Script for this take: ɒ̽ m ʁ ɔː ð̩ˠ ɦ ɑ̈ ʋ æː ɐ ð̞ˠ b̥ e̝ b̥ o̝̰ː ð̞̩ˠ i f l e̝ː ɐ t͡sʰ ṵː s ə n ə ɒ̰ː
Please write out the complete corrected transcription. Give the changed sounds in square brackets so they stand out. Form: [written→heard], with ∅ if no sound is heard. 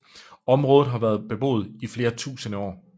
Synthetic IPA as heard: ɒ̽ m ʁ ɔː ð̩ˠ ɦ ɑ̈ ʋ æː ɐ ð̞ˠ b̥ e̝ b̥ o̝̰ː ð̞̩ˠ i f l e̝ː ɐ t͡sʰ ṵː s ə n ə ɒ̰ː